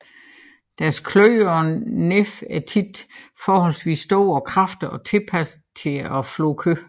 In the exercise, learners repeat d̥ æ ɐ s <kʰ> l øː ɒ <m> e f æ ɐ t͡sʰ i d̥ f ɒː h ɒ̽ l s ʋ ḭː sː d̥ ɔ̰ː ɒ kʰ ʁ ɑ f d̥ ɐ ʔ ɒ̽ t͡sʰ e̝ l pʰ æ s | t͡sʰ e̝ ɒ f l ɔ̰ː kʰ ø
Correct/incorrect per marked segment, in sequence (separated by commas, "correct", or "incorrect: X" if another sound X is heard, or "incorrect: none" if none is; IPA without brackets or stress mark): correct, incorrect: n